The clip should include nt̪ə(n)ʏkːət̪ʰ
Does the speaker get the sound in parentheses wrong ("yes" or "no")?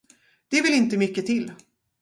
yes